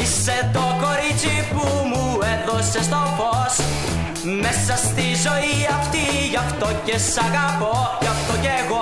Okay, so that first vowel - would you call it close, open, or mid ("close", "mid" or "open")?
close